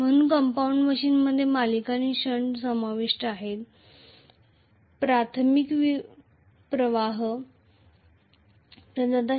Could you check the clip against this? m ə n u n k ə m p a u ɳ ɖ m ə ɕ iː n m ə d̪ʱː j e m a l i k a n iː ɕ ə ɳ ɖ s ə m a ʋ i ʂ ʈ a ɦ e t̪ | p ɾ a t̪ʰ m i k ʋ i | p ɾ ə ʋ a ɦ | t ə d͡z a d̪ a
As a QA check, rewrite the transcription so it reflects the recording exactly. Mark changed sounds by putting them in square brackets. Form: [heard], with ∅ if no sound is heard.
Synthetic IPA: m ə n u n k ə m p a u ɳ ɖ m ə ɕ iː n m ə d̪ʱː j e m a l i k a n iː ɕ ə ɳ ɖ s ə m a ʋ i ʂ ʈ a ɦ e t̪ | p ɾ a t̪ʰ m i k ʋ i | p ɾ ə ʋ a ɦ | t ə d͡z a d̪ a